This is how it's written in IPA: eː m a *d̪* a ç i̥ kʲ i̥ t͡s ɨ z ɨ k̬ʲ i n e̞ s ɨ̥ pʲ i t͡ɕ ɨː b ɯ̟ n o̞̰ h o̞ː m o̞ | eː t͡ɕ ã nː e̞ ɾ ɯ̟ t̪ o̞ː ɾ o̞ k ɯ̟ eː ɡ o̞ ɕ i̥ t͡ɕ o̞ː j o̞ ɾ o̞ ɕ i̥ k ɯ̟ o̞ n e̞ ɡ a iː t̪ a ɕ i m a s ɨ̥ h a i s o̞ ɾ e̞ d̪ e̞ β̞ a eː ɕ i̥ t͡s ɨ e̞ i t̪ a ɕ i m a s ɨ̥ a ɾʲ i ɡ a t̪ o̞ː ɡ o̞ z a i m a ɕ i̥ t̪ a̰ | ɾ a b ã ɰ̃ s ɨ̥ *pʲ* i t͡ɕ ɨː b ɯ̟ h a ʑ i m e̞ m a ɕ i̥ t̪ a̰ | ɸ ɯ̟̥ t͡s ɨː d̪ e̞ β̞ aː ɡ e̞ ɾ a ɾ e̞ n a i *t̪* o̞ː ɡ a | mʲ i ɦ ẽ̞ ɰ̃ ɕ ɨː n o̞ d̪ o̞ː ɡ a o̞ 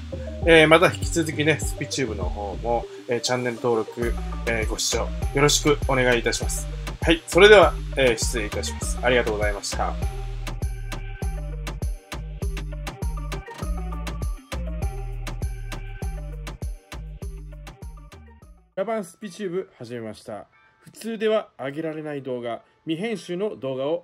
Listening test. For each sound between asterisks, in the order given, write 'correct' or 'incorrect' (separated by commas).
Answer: incorrect, correct, incorrect